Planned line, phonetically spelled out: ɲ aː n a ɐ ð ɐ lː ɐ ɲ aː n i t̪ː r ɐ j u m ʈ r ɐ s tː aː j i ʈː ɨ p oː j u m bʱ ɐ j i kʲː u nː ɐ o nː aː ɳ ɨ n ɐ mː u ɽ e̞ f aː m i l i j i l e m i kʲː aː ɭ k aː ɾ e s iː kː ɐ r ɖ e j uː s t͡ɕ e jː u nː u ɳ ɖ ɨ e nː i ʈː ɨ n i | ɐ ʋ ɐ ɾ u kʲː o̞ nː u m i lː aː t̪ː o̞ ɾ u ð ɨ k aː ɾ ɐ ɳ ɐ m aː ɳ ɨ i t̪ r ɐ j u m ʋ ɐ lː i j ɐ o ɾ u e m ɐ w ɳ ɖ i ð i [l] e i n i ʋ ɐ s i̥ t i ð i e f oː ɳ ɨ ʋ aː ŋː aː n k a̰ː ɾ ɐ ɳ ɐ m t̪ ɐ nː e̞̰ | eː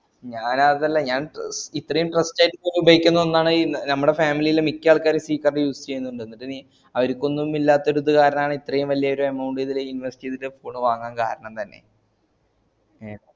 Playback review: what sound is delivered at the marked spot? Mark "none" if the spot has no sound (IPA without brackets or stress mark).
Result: l